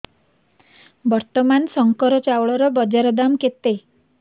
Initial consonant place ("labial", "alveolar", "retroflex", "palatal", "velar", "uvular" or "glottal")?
labial